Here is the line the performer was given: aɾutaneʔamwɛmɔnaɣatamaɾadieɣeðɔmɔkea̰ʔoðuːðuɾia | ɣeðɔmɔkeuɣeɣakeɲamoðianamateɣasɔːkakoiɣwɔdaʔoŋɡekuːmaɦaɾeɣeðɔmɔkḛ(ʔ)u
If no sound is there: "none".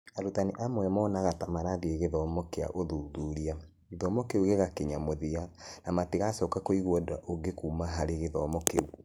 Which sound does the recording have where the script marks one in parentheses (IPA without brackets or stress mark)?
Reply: none